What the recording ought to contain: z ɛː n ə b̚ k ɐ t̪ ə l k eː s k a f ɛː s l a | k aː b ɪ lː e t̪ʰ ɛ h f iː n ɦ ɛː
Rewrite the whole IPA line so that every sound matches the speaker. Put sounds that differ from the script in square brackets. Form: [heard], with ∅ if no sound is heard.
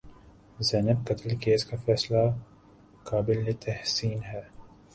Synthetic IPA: z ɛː n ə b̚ k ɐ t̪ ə l k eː s k a f ɛː s l a | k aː b ɪ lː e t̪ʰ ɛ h [s] iː n ɦ ɛː

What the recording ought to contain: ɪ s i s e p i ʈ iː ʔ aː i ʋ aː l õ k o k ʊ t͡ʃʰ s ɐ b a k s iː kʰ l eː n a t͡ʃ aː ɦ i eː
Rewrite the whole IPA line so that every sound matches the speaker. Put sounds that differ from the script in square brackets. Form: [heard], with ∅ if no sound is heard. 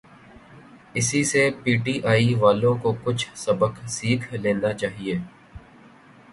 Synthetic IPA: ɪ s i s e p [iː] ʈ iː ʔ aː i ʋ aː l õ k o k ʊ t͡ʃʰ s ɐ b [ə] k s iː kʰ l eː n a t͡ʃ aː ɦ i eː

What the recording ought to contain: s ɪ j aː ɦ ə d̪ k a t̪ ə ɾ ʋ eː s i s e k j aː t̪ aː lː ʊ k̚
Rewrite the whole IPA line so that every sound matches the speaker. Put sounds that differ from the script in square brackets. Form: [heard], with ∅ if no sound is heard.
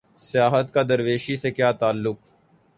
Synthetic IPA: s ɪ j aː ɦ ə [t̪] k a [d̪] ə ɾ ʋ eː [ʃ] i s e k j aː t̪ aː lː ʊ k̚

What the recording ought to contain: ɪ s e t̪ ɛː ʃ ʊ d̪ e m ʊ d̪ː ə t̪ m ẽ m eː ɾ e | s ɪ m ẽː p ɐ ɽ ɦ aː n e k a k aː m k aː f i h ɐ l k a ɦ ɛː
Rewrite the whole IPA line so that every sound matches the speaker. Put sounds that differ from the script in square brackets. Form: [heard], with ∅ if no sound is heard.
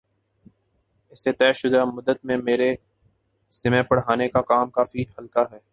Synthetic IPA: ɪ s e t̪ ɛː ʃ ʊ d̪ [a] m ʊ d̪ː ə t̪ m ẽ m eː ɾ e | s ɪ m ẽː p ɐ ɽ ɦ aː n e k a k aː m k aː f i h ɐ l k a ɦ ɛː

